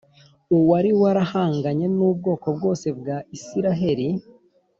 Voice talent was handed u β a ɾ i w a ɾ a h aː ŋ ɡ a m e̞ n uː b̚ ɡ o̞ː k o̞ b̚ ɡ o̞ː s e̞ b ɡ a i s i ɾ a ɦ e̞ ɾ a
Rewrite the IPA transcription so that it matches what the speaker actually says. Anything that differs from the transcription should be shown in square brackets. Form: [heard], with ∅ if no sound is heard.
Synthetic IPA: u [w] a ɾ i w a ɾ a h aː ŋ ɡ a [ɲ] e̞ n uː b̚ ɡ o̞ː k o̞ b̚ ɡ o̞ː s e̞ b ɡ a i s i ɾ a ɦ e̞ ɾ [i]